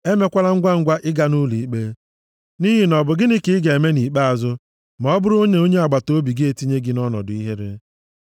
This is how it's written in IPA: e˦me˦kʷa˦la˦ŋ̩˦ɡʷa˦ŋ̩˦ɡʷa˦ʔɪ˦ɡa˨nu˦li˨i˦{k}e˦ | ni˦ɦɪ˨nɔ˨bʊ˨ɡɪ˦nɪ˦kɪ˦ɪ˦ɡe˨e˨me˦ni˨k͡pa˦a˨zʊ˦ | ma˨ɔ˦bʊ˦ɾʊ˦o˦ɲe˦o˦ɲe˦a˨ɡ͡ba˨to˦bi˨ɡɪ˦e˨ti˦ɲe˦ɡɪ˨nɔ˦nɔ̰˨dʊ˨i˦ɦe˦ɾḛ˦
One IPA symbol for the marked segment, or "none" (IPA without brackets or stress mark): k͡p